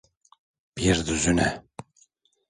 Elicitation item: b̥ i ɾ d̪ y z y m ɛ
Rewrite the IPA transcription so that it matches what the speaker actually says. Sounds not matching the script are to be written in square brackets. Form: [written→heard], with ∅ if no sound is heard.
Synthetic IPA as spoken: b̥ i ɾ d̪ y z y [m→n] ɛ